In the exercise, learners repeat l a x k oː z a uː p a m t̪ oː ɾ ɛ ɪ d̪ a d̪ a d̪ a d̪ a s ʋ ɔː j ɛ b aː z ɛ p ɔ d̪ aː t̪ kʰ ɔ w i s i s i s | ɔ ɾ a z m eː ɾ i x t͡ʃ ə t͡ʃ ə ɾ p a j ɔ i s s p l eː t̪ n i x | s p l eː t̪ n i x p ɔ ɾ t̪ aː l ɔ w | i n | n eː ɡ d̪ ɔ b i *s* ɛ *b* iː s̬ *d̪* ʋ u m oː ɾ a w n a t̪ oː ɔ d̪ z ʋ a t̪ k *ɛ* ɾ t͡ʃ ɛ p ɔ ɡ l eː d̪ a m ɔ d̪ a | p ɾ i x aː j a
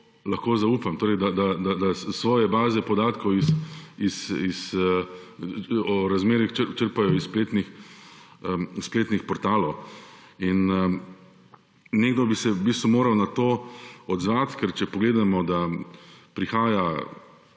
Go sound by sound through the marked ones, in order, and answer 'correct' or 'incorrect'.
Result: correct, correct, incorrect: t̪, correct

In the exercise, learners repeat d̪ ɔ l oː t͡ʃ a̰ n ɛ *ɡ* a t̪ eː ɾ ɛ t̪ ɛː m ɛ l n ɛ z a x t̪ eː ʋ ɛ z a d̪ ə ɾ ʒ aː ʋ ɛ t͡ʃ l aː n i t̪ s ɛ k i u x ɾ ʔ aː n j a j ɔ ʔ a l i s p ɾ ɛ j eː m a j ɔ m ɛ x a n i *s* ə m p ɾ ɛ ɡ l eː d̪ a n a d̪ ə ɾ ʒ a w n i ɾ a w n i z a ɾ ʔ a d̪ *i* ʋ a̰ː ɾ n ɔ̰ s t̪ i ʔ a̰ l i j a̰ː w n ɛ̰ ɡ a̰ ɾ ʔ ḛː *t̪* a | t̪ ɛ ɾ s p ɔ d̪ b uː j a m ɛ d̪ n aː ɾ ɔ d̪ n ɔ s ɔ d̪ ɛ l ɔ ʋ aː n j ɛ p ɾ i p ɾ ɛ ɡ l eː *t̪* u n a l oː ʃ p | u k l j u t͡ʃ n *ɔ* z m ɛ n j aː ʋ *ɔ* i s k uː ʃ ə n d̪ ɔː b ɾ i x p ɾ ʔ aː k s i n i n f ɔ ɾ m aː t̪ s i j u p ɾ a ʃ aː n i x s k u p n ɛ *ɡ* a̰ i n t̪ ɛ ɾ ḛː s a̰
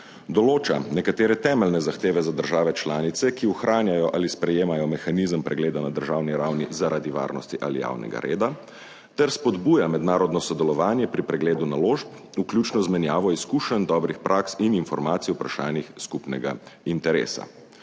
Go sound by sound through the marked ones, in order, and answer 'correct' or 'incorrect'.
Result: incorrect: k, incorrect: z, correct, incorrect: d̪, incorrect: d̪, correct, correct, correct

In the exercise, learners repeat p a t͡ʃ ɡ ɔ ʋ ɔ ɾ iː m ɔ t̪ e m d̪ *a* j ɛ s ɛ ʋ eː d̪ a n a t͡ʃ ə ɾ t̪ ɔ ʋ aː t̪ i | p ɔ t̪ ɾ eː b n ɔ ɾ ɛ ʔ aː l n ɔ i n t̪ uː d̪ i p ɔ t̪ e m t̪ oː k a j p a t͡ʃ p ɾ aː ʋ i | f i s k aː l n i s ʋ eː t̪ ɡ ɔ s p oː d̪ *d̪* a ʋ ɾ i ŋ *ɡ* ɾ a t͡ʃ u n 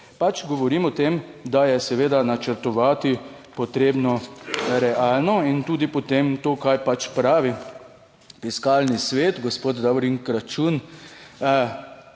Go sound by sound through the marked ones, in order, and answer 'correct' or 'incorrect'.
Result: correct, correct, incorrect: k

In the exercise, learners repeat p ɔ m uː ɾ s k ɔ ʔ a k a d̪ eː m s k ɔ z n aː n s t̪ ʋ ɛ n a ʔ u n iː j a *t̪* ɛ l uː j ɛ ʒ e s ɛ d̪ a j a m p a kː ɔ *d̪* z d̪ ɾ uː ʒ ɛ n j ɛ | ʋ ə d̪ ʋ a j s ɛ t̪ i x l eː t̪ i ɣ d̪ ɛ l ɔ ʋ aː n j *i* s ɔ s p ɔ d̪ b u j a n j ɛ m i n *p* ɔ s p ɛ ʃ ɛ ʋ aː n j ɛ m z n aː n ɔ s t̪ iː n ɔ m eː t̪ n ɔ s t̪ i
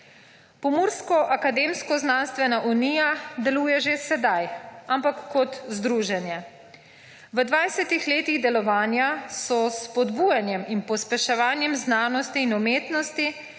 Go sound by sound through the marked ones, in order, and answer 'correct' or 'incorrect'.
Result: incorrect: d̪, incorrect: t̪, incorrect: a, correct

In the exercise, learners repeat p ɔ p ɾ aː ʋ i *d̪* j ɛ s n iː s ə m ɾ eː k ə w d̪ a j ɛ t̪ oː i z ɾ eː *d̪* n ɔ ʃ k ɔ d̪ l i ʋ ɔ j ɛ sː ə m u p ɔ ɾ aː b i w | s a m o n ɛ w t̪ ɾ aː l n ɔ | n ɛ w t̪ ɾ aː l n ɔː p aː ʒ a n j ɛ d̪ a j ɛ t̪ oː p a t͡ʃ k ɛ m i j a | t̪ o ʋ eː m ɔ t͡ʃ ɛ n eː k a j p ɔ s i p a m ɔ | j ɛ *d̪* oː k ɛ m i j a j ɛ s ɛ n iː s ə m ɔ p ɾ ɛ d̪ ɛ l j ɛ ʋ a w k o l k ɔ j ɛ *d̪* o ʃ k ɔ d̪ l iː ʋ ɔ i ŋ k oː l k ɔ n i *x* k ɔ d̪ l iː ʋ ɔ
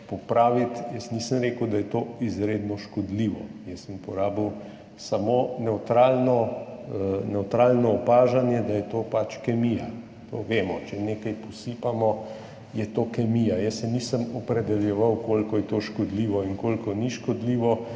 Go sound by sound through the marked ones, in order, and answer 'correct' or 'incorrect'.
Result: incorrect: t̪, correct, incorrect: t̪, incorrect: t̪, incorrect: ʃ

